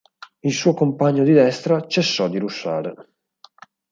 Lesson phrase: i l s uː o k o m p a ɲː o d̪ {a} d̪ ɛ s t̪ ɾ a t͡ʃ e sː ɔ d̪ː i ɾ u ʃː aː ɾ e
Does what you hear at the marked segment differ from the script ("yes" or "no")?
yes